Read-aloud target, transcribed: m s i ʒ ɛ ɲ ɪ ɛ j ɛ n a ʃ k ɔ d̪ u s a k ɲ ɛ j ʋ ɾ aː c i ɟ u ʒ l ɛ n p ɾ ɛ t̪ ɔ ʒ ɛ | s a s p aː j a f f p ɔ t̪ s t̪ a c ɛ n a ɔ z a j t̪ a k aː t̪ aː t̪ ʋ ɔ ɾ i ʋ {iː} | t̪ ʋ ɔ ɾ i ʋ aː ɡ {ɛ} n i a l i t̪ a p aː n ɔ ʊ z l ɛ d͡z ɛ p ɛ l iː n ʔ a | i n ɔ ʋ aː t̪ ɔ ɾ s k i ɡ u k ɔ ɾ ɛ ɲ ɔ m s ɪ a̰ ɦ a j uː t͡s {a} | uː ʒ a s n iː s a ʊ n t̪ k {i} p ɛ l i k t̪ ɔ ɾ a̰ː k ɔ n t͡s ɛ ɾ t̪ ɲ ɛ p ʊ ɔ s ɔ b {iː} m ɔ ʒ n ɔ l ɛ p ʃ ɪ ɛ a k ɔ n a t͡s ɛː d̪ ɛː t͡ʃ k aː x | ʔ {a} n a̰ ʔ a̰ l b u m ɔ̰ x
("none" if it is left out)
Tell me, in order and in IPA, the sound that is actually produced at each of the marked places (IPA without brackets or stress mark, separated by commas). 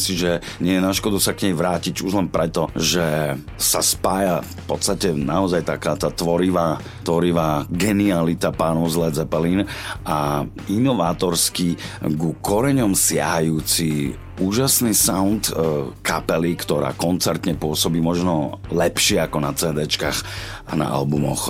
aː, ɛ, i, a, iː, a